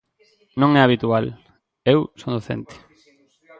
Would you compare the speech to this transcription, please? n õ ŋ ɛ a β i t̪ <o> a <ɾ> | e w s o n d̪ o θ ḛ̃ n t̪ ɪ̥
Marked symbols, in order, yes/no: no, no

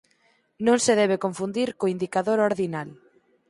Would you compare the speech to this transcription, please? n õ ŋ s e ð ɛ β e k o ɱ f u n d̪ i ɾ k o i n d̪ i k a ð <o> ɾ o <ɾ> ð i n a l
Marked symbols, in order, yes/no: yes, yes

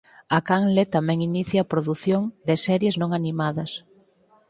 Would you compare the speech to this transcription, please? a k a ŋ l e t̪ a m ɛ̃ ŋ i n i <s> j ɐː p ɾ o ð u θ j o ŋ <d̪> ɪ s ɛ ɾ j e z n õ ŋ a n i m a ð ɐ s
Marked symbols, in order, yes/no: no, yes

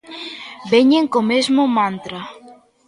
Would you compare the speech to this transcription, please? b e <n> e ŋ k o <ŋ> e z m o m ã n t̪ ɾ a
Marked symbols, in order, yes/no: no, no

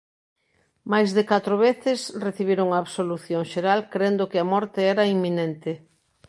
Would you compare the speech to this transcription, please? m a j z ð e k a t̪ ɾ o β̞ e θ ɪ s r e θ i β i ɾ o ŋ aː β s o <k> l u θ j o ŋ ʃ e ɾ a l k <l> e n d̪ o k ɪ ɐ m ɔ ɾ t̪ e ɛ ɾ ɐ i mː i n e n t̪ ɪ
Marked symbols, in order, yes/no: no, no

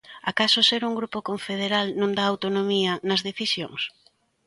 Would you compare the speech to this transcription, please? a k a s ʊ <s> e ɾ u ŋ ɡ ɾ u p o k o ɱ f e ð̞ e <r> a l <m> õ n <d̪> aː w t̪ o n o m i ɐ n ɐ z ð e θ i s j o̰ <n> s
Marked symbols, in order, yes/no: yes, no, no, yes, no

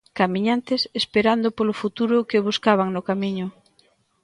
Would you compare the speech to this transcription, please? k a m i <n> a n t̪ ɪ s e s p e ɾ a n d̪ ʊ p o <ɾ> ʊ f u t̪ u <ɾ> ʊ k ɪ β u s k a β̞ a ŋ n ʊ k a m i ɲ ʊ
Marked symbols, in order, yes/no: no, no, yes

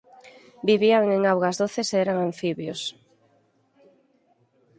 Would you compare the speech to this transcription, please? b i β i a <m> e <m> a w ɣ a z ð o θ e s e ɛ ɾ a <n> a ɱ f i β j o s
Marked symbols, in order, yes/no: no, no, no

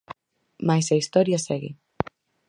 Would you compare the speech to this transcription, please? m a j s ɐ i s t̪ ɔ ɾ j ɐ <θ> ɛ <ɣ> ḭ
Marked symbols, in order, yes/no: no, yes

